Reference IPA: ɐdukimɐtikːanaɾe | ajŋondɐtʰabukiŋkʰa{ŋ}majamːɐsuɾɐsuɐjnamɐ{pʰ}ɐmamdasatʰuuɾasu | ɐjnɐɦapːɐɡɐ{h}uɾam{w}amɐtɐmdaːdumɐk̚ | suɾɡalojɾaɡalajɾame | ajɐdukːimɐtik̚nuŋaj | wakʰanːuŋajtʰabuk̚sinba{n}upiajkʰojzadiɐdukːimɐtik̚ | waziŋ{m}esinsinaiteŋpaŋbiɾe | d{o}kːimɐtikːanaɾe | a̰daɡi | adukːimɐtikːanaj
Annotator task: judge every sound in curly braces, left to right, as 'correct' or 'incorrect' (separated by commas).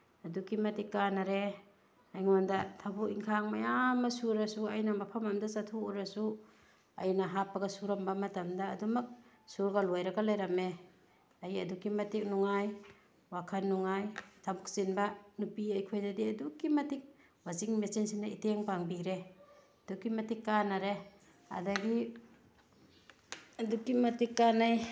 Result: correct, correct, incorrect, incorrect, correct, correct, incorrect